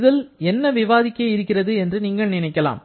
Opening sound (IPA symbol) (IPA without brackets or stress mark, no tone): ð